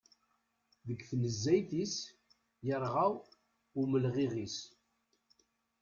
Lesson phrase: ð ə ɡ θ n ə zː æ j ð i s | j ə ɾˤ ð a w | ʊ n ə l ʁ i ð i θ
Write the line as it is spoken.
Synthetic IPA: ð ə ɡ θ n ə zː æ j θ i s | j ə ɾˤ ʁ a w | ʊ m ə l ʁ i ʁ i s